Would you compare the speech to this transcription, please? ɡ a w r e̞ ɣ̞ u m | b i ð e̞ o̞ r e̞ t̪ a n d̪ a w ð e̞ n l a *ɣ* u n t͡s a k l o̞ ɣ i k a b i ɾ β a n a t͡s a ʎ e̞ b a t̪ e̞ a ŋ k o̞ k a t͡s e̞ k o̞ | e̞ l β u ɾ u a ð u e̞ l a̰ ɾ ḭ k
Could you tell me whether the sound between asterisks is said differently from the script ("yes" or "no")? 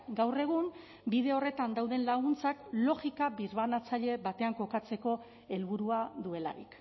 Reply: no